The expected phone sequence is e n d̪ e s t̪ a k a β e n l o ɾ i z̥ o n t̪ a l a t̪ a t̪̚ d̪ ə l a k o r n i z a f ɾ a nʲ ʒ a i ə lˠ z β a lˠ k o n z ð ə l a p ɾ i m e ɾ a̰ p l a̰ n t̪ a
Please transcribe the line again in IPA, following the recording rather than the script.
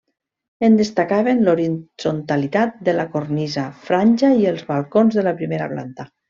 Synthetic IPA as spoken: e n d̪ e s t̪ a k a β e n l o ɾ i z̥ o n t̪ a l i t̪ a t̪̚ d̪ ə l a k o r n i z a f ɾ a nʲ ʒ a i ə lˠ z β a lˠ k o n z ð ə l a p ɾ i m e ɾ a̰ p l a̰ n t̪ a